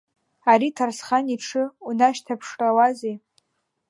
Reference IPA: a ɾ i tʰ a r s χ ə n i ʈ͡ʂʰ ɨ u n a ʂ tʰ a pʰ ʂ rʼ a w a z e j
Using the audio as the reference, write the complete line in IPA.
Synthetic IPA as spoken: a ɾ i tʰ a r s χ a n i ʈ͡ʂʰ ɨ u n a ʃ tʰ a pʰ ʂ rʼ a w a z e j